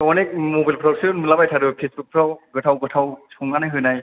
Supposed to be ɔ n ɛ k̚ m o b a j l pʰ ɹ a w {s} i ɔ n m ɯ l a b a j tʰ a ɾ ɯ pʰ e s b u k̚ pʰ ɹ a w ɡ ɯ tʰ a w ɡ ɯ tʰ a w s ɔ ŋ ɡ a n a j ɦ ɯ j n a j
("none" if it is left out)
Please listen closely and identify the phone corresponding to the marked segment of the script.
s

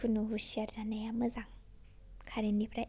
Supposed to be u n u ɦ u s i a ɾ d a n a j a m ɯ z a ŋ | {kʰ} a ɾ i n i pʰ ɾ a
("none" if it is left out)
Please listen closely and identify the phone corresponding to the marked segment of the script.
kʰ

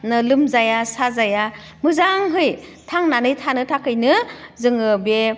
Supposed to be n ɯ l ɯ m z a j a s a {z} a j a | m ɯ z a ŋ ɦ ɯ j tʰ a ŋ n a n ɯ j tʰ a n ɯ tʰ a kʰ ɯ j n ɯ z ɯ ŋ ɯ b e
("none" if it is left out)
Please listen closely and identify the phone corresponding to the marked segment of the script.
z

